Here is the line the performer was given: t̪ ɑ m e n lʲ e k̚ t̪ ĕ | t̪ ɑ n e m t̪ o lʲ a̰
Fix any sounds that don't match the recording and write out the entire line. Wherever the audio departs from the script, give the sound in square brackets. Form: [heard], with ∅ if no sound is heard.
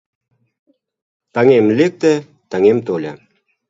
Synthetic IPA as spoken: t̪ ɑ [ŋ] e [m] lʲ e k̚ t̪ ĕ | t̪ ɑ [ŋ] e m t̪ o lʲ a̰